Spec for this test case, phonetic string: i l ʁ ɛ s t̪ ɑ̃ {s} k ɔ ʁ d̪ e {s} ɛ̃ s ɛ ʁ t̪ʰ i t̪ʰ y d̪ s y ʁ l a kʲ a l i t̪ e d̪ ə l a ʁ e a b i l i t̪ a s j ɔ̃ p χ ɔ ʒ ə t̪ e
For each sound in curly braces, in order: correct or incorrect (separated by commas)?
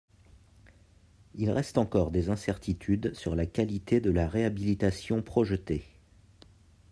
incorrect, incorrect